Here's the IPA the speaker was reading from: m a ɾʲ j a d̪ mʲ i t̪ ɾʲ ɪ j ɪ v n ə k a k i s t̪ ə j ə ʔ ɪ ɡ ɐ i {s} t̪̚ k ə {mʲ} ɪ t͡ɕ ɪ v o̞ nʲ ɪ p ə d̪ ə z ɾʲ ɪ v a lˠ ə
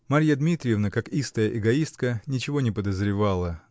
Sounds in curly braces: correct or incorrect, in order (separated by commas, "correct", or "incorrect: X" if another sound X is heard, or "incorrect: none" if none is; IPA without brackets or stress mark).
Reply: correct, incorrect: nʲ